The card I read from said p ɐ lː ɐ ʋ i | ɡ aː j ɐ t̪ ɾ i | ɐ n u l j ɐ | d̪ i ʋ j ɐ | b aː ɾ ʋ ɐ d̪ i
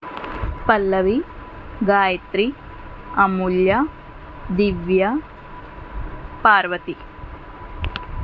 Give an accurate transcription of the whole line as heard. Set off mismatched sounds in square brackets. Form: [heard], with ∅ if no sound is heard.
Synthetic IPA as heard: p ɐ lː ɐ ʋ i | ɡ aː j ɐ t̪ ɾ i | ɐ [m] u l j ɐ | d̪ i ʋ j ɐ | [p] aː ɾ ʋ ɐ [t̪] i